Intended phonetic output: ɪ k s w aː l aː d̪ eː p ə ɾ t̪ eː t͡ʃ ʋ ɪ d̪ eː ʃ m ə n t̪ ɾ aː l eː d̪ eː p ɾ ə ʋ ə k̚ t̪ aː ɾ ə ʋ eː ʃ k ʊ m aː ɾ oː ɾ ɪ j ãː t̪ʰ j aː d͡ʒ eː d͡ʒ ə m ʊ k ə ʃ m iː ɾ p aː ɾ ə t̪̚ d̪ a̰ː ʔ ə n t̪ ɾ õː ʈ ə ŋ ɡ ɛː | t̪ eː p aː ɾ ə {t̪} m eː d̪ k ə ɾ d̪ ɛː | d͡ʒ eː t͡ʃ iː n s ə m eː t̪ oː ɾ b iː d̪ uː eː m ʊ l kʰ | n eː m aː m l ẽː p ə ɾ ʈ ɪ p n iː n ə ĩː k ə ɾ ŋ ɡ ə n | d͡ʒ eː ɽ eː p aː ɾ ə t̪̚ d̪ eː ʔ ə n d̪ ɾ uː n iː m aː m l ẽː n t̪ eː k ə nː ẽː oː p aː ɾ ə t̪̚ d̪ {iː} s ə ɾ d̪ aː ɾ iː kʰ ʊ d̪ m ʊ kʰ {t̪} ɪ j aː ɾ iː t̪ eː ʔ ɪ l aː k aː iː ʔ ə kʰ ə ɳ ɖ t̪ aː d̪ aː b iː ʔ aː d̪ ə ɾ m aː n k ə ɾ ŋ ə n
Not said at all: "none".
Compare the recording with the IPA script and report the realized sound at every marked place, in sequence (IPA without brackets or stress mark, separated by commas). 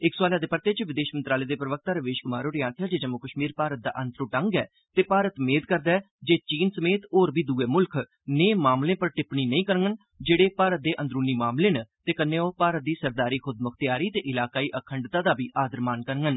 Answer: t̪, iː, t̪